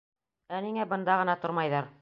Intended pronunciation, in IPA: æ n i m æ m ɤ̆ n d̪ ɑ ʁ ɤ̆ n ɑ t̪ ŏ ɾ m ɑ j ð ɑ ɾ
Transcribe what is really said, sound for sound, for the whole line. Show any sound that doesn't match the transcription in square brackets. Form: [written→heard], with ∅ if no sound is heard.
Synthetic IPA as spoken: æ n i [m→ŋ] æ [m→b] ɤ̆ n d̪ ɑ ʁ ɤ̆ n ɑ t̪ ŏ ɾ m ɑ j ð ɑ ɾ

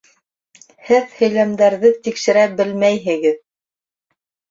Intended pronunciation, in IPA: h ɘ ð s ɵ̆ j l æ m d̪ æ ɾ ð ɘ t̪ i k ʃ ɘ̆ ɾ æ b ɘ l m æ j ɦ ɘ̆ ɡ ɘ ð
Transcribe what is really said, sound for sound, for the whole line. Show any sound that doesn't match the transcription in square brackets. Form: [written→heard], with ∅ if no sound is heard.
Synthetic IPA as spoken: h ɘ ð [s→h] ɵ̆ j l æ m d̪ æ ɾ ð ɘ t̪ i k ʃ ɘ̆ ɾ æ b ɘ l m æ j ɦ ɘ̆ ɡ ɘ ð

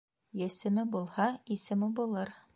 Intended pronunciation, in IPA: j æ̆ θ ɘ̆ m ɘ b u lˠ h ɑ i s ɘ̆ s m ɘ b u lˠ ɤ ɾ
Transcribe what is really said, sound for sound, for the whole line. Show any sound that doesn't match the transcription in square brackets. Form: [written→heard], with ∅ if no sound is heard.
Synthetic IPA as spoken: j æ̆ [θ→s] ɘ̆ m ɘ b u lˠ h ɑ i s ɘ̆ [s→∅] m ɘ b u lˠ ɤ ɾ

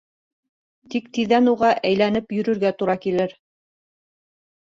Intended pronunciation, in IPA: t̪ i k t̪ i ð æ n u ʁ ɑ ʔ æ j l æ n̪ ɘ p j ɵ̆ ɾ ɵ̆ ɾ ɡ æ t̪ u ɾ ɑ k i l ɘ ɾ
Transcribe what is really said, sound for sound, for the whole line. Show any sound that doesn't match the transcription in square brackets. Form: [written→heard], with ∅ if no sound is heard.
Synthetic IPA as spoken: t̪ i k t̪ i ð æ n u ʁ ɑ ʔ æ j l æ n̪ ɘ p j ɵ̆ ɾ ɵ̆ ɾ ɡ æ t̪ u ɾ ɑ k i l ɘ ɾ

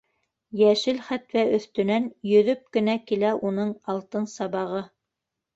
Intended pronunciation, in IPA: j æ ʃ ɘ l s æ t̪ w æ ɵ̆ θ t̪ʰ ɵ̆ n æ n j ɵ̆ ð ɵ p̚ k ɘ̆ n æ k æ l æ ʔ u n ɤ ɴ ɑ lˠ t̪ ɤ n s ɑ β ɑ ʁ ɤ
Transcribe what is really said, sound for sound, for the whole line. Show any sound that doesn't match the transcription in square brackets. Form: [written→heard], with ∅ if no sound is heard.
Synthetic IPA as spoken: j æ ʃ ɘ l [s→χ] æ t̪ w æ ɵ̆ θ [t̪ʰ→t̪] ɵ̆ n æ n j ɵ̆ ð ɵ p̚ k ɘ̆ n æ k [æ→i] l æ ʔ u n ɤ ɴ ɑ lˠ t̪ ɤ n s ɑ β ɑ ʁ ɤ

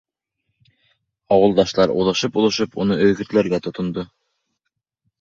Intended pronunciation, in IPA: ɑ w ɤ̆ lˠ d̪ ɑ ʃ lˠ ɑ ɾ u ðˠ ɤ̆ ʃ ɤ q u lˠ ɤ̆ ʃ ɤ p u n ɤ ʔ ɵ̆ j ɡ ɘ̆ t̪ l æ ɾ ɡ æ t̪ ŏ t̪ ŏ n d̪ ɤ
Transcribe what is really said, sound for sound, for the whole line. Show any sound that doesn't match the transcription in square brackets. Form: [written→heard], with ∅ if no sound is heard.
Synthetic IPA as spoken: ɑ w ɤ̆ lˠ d̪ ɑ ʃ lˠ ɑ ɾ u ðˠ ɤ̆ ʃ ɤ [q→p] u lˠ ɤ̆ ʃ ɤ p u n ɤ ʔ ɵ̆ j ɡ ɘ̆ t̪ l æ ɾ ɡ æ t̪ ŏ t̪ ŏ n d̪ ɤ

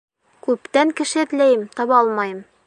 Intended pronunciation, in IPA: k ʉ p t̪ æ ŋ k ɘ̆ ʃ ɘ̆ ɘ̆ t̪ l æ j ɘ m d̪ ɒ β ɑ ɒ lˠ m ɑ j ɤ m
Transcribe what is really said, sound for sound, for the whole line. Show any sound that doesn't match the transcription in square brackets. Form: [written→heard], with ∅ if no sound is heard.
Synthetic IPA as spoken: k ʉ p t̪ æ ŋ k ɘ̆ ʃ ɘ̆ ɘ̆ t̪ l æ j ɘ m [d̪→t̪] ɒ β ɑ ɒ lˠ m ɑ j ɤ m

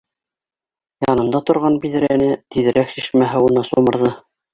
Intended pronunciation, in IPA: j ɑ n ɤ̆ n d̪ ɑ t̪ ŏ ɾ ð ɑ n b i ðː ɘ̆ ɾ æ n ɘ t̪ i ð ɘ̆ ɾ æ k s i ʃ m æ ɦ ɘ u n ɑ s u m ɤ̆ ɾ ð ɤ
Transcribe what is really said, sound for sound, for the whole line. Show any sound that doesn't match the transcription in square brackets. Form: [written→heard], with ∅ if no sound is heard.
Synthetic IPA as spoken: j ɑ n ɤ̆ n d̪ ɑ t̪ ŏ ɾ [ð→ʁ] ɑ n b i [ðː→ð] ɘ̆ ɾ æ n ɘ t̪ i ð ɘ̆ ɾ æ k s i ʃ m æ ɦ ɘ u n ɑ s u m ɤ̆ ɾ ð ɤ

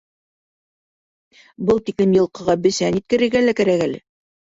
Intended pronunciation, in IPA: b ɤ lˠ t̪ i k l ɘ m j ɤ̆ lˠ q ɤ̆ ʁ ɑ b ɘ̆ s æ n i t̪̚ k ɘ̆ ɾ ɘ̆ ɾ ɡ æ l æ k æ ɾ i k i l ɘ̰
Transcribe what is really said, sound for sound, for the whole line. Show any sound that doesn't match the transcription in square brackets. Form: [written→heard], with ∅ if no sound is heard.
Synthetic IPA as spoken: b ɤ lˠ t̪ i k l ɘ m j ɤ̆ lˠ q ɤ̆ ʁ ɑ b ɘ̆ s æ n i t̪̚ k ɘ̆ ɾ ɘ̆ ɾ ɡ æ l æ k æ ɾ [i→æ] k [i→æ] l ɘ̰

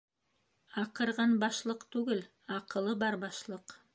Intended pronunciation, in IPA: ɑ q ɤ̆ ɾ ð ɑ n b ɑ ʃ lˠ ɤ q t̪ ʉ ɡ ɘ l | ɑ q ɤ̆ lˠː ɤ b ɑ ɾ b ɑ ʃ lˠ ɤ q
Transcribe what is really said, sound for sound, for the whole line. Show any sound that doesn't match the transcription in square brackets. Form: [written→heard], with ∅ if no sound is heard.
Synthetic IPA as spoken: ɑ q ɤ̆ ɾ [ð→ʁ] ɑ n b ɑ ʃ lˠ ɤ q t̪ ʉ ɡ ɘ l | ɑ q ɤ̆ [lˠː→lˠ] ɤ b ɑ ɾ b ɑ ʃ lˠ ɤ q

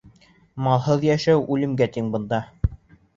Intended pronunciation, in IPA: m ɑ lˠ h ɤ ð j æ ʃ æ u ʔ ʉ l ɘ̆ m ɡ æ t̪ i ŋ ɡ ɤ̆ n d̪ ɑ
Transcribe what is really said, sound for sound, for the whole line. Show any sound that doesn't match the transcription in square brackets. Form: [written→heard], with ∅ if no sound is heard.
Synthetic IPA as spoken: m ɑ lˠ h ɤ ð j æ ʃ æ [u→w] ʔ ʉ l ɘ̆ m ɡ æ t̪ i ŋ [ɡ→b] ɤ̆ n d̪ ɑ

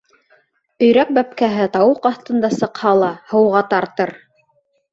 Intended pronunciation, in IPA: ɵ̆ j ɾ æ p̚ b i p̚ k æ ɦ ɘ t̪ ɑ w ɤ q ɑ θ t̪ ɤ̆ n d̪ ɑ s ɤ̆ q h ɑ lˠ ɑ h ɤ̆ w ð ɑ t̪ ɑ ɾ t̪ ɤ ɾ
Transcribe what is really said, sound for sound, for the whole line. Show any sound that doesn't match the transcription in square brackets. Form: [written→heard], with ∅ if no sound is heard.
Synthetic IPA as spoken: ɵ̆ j ɾ æ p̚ b [i→æ] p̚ k æ ɦ ɘ t̪ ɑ w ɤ q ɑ θ t̪ ɤ̆ n d̪ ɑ s ɤ̆ q h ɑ lˠ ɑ h ɤ̆ w [ð→ʁ] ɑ t̪ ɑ ɾ t̪ ɤ ɾ

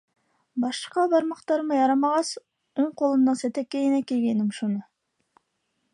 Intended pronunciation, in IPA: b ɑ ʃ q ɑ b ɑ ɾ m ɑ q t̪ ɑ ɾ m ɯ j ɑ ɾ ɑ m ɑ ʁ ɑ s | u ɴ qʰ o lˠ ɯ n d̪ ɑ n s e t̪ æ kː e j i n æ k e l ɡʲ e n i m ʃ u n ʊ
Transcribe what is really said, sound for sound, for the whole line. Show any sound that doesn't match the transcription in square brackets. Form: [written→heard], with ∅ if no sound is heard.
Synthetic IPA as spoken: b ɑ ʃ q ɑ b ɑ ɾ m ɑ q t̪ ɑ ɾ m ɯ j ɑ ɾ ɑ m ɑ ʁ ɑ s | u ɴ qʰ o lˠ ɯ n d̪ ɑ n s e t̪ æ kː e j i n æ k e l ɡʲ e n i m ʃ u n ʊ

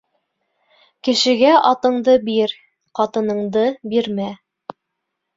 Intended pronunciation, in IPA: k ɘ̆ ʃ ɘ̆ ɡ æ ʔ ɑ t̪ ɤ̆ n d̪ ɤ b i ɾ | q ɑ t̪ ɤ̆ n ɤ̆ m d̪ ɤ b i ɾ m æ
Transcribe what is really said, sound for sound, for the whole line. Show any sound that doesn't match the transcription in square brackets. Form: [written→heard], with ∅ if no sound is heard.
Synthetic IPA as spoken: k ɘ̆ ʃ ɘ̆ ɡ æ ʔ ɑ t̪ ɤ̆ [n→ɴ] d̪ ɤ b i ɾ | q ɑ t̪ ɤ̆ n ɤ̆ [m→ɴ] d̪ ɤ b i ɾ m æ

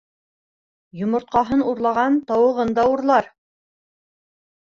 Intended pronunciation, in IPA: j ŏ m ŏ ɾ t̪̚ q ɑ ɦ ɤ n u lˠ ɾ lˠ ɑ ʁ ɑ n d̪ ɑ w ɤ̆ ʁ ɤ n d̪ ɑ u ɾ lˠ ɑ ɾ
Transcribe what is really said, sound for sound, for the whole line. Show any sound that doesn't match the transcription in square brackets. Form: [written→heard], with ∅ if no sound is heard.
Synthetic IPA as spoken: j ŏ m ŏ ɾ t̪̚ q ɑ ɦ ɤ n u [lˠ→∅] ɾ lˠ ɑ ʁ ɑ n [d̪→t̪] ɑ w ɤ̆ ʁ ɤ n d̪ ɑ u ɾ lˠ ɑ ɾ

